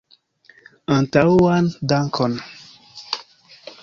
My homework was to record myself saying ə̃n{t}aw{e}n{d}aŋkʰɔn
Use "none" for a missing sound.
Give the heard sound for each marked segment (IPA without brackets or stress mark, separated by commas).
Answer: t, a, d